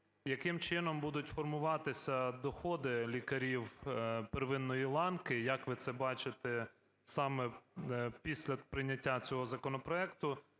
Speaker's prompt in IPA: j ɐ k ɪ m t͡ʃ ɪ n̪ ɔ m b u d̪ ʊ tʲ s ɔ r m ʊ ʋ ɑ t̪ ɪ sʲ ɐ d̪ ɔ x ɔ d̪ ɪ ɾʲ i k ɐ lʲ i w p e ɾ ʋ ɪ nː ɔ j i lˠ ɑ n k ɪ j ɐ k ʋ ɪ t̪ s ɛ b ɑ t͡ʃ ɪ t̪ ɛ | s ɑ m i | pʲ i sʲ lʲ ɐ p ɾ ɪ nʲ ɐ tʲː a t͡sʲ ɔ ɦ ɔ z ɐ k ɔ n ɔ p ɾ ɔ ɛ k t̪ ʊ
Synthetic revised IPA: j ɐ k ɪ m t͡ʃ ɪ n̪ ɔ m b u d̪ ʊ tʲ f ɔ r m ʊ ʋ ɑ t̪ ɪ sʲ ɐ d̪ ɔ x ɔ d̪ ɪ lʲ i k ɐ ɾʲ i w p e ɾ ʋ ɪ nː ɔ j i lˠ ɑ n k ɪ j ɐ k ʋ ɪ t̪ s ɛ b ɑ t͡ʃ ɪ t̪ ɛ | s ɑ m ɛ | pʲ i sʲ lʲ ɐ p ɾ ɪ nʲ ɐ tʲː a t͡sʲ ɔ ɦ ɔ z ɐ k ɔ n ɔ p ɾ ɔ ɛ k t̪ ʊ